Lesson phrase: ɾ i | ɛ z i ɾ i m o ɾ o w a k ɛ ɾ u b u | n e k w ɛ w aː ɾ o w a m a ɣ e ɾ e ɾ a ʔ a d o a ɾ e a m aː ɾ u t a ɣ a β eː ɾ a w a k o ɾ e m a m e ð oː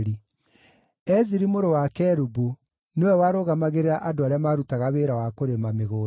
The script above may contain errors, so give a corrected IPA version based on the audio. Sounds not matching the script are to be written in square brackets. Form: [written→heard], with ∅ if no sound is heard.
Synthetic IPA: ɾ i | ɛ z i ɾ i m o ɾ o w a k ɛ ɾ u b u | n e [k→∅] w ɛ w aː ɾ o [w→ɣ] a m a ɣ e ɾ e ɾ a ʔ a d o a ɾ e a m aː ɾ u t a ɣ a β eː ɾ a w a k o ɾ e m a m e [ð→ɣ] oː